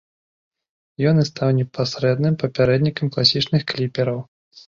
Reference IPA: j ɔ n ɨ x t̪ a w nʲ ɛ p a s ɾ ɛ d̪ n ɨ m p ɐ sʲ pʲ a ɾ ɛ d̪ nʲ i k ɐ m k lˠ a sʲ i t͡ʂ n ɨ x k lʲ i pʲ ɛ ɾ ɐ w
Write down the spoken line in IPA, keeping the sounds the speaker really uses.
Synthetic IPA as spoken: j ɔ n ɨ s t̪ a w nʲ ɛ p a s ɾ ɛ d̪ n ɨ m p ɐ pʲ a ɾ ɛ d̪ nʲ i k ɐ m k lˠ a sʲ i t͡ʂ n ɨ x k lʲ i pʲ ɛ ɾ ɐ w